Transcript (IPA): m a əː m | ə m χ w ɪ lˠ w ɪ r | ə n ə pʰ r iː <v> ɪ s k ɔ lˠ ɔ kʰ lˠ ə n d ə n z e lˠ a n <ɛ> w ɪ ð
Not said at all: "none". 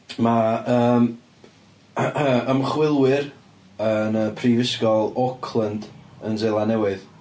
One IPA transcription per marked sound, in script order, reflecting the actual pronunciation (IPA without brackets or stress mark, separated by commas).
v, ɛ